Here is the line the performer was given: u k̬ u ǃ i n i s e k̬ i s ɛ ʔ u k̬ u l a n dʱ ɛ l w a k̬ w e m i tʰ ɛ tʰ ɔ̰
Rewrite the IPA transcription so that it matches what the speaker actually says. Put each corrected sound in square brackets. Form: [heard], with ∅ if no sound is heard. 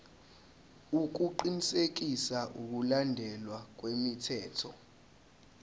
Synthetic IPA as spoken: u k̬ u ǃ i n i s e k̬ i s [a] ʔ u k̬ u l a n dʱ ɛ l w a k̬ w e m i tʰ [ɛː] tʰ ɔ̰